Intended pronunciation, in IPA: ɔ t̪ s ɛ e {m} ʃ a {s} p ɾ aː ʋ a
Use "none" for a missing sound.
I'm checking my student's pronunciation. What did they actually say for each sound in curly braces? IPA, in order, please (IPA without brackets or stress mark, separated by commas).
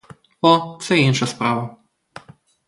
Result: n, s